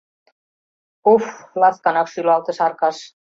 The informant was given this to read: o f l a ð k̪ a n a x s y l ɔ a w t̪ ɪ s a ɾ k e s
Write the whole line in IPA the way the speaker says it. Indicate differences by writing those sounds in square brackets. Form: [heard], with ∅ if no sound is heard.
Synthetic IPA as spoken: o f l a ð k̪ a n a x s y l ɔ a w t̪ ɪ s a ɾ k [a] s